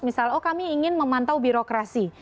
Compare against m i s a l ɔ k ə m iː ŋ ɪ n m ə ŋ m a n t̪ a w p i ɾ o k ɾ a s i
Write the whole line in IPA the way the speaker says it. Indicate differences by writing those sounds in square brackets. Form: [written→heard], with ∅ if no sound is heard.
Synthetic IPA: m i s a l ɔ k [ə→a] m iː ŋ ɪ n m ə [ŋ→∅] m a n t̪ a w [p→b] i ɾ o k ɾ a s i